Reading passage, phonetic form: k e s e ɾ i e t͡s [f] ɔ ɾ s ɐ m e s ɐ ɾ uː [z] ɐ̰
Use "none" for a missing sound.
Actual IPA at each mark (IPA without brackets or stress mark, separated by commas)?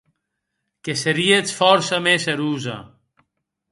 f, z